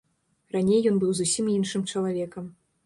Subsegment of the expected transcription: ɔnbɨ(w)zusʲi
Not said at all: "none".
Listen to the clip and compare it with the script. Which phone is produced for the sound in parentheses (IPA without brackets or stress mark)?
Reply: w